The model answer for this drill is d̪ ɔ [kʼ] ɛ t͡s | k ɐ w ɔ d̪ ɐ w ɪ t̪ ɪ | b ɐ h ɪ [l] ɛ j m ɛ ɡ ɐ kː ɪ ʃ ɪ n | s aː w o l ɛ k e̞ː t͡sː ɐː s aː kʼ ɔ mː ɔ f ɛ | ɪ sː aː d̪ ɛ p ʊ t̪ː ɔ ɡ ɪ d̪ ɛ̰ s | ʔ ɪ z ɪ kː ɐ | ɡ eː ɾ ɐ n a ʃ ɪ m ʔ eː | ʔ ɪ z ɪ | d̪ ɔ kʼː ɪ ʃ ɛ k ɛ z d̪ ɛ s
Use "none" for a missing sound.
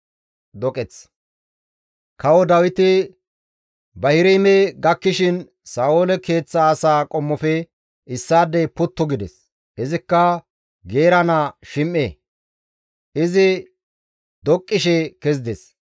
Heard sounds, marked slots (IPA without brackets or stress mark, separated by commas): kʼ, ɾ